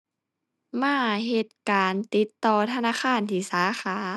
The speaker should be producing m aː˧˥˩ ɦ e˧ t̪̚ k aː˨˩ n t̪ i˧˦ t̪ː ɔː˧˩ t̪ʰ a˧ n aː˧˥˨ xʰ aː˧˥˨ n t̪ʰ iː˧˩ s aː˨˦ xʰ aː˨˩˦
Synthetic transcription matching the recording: m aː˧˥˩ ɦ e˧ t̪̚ k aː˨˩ n t̪ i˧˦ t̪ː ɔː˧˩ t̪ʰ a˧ n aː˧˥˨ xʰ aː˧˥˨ n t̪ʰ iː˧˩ s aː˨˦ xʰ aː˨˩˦